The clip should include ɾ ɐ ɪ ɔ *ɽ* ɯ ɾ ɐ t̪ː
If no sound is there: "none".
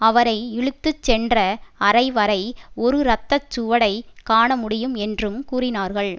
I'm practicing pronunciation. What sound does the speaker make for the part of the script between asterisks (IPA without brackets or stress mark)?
ɾ